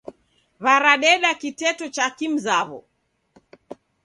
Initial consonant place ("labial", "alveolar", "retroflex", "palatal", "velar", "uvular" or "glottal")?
labial